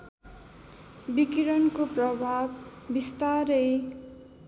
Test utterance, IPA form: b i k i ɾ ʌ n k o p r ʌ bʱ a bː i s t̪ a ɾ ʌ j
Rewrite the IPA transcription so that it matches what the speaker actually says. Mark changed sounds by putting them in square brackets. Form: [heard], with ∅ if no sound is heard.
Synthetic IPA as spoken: b i k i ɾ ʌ n k o p r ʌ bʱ a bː i s t̪ a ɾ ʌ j

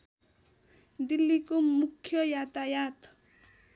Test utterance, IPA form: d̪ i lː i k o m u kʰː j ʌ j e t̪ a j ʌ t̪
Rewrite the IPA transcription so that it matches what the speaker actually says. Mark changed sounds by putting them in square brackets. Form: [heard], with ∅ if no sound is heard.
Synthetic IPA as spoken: d̪ i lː i k o m u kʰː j ʌ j [a] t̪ a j [a] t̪

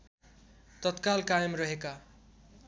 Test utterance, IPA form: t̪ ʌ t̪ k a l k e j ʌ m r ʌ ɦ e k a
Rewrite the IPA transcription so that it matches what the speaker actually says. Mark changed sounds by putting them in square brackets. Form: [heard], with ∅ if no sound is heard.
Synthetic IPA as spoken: t̪ ʌ t̪ k a l k [a] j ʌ m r ʌ ɦ e k a

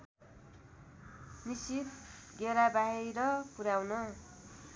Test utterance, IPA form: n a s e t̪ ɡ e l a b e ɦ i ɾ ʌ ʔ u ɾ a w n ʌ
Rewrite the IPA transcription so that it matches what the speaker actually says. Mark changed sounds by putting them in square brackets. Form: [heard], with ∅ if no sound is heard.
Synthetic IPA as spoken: n [i] s [i] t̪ ɡ e [ɾ] a b [a] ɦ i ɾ ʌ [p] u ɾ a w n ʌ

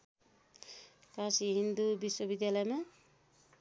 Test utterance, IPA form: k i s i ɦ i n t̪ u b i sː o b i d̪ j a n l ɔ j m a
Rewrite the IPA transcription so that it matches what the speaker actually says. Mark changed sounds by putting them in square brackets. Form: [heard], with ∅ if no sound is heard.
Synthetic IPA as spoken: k [a] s i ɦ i n [d̪] u b i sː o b i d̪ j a [∅] l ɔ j m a

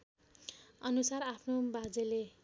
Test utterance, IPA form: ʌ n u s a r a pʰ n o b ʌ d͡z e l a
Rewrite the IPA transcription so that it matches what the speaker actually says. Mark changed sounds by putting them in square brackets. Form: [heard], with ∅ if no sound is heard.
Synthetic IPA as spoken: ʌ n u s a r a pʰ n o b [a] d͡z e l [e]

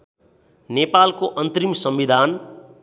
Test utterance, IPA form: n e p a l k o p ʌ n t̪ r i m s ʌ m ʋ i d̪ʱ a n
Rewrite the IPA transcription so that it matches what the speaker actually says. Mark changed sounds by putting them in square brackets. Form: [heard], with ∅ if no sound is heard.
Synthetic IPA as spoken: n e p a l k o [ʔ] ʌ n t̪ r i m s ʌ m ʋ i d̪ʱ a n

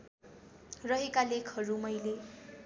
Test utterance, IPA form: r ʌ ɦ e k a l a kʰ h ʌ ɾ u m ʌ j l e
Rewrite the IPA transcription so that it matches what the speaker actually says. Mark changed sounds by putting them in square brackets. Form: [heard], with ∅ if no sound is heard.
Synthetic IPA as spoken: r ʌ ɦ e k a l [e] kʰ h ʌ ɾ u m ʌ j l e

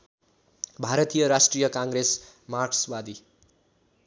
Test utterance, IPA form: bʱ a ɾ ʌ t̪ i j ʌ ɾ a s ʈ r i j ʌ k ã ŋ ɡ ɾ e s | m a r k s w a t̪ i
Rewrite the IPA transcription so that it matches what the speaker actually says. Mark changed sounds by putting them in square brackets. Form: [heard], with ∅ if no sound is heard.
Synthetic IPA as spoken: bʱ a ɾ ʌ t̪ i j ʌ ɾ a s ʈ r i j ʌ k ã ŋ ɡ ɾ e s | m a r k s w a [d̪] i

